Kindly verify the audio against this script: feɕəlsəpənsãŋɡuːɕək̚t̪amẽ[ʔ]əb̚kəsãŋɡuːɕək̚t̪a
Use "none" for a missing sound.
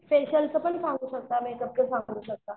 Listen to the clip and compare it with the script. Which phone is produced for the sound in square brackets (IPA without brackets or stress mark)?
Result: k